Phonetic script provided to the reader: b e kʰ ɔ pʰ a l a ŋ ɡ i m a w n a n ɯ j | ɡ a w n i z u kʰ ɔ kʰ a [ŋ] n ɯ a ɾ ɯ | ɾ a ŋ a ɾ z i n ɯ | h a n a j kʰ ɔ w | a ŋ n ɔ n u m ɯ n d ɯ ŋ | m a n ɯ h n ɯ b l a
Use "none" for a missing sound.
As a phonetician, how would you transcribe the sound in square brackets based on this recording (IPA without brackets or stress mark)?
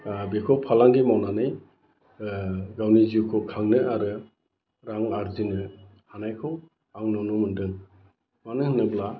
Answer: ŋ